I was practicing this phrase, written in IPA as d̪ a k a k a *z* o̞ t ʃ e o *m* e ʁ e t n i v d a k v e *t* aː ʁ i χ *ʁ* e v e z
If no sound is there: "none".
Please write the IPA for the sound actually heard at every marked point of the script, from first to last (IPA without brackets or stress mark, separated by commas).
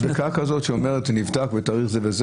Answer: z, m, t, z